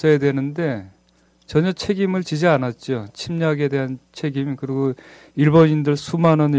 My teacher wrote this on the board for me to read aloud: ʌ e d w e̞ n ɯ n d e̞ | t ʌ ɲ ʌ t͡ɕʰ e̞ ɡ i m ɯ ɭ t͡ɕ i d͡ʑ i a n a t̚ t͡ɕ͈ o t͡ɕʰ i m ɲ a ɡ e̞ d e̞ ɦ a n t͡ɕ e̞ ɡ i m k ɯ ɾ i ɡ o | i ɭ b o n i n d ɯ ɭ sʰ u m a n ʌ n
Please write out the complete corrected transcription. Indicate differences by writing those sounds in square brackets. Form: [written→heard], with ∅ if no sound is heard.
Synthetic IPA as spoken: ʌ e d w e̞ n ɯ n d e̞ | [t→t͡ɕ] ʌ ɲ ʌ t͡ɕʰ e̞ ɡ i m ɯ ɭ t͡ɕ i d͡ʑ i a n a t̚ t͡ɕ͈ o t͡ɕʰ i m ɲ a ɡ e̞ d e̞ ɦ a n [t͡ɕ→t͡ɕʰ] e̞ ɡ i m k ɯ ɾ i ɡ o | i ɭ b o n i n d ɯ ɭ sʰ u m a n ʌ n